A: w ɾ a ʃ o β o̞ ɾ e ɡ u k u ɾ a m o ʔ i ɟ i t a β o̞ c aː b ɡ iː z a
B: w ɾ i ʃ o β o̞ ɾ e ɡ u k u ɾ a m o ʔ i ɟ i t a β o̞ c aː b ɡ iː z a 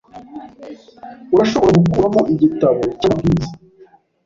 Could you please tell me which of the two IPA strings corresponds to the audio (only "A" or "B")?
A